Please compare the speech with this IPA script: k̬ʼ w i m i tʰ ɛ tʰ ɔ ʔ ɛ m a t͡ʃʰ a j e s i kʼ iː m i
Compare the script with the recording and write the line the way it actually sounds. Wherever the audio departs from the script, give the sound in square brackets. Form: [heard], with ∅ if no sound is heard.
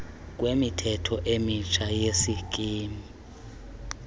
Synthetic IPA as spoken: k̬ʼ w [e] m i tʰ ɛ tʰ ɔ ʔ [e] m [i] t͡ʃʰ a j e s i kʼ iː m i